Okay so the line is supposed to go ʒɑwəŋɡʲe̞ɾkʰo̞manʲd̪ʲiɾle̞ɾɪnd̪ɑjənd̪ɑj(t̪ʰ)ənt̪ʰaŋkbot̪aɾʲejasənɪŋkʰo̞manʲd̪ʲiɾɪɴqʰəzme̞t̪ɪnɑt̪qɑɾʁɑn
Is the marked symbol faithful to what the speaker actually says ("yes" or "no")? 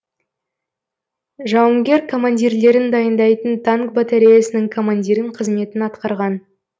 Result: no